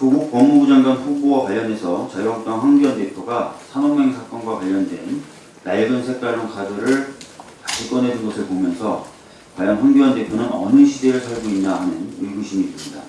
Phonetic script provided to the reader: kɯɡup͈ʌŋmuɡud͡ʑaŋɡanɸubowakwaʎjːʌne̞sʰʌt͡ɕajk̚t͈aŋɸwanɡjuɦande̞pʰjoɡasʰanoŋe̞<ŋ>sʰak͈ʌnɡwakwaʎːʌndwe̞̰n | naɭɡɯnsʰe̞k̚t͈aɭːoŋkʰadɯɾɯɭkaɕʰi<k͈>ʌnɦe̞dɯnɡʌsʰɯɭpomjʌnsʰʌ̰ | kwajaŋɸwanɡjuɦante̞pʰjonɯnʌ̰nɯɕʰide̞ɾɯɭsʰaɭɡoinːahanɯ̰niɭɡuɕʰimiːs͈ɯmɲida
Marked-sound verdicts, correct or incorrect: correct, correct

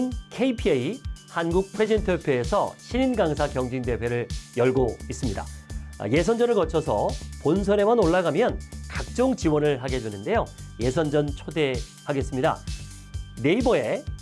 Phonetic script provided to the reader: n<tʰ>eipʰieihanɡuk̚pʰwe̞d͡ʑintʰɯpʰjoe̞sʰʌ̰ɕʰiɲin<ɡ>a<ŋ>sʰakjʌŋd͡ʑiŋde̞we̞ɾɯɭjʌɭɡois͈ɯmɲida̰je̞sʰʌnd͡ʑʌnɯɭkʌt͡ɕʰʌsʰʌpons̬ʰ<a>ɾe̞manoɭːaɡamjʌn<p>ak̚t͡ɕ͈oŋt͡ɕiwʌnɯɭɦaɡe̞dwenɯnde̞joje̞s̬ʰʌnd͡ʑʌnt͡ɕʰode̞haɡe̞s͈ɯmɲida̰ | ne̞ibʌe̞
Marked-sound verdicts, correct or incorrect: incorrect, correct, correct, incorrect, incorrect

